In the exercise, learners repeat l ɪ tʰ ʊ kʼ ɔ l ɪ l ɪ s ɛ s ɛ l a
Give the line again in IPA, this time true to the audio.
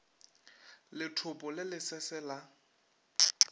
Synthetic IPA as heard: l ɪ tʰ ʊ pʼ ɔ l ɪ l ɪ s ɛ s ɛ l a

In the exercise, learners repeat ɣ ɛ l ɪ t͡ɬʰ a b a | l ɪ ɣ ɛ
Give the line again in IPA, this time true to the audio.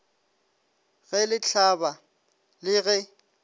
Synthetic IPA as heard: ɣ ɛ l ɪ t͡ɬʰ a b a | l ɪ ɣ ɛ

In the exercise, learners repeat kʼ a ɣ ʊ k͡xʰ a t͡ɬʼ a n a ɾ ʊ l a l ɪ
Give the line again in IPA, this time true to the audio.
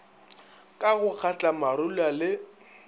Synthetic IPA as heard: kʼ a ɣ ʊ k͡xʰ a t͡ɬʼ a m a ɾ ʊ l a l ɪ

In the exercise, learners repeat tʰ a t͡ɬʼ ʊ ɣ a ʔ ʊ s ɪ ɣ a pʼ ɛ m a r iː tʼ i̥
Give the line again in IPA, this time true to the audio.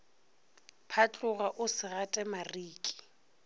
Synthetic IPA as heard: pʰ a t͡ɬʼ ʊ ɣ a ʔ ʊ s ɪ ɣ a tʼ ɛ m a r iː kʼ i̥

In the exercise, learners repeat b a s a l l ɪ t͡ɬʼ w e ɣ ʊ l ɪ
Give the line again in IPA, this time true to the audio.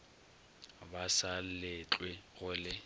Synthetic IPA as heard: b a s a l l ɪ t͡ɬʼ w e ɣ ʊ l ɪ

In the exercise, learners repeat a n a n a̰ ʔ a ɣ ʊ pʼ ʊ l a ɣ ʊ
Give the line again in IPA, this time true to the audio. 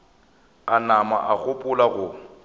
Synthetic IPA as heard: a n a m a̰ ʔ a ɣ ʊ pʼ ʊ l a ɣ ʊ

